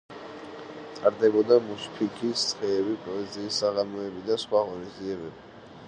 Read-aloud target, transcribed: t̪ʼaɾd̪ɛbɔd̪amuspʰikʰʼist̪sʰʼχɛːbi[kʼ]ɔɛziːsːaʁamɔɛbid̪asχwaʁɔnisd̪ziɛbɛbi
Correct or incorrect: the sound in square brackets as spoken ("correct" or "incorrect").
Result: incorrect